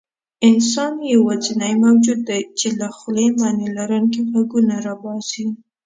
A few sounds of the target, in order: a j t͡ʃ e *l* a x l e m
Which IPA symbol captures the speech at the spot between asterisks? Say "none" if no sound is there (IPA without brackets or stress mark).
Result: l